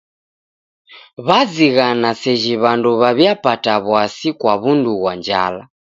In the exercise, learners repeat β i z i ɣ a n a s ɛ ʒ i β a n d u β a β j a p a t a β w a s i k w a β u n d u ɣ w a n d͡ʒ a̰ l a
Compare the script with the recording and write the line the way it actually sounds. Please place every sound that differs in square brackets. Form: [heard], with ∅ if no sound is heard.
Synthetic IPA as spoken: β [a] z i ɣ a n a s ɛ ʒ i β a n d u β a β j a p a t a β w a s i k w a β u n d u ɣ w a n d͡ʒ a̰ l a